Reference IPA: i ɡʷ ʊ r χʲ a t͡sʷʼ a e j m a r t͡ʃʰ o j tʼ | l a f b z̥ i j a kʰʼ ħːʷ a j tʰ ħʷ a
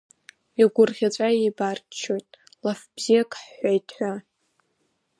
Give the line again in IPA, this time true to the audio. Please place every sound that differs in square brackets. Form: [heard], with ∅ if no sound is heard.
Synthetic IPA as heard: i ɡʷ ʊ r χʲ a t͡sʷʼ a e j [b] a r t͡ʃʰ o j tʼ | l a f b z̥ i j a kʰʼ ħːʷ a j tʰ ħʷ a